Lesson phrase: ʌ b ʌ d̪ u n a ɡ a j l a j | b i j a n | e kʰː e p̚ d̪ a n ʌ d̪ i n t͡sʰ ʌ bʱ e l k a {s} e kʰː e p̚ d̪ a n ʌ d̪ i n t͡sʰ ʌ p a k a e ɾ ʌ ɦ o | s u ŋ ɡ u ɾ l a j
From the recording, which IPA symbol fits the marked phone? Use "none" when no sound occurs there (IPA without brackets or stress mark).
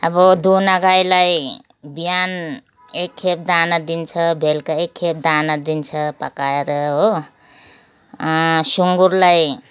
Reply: none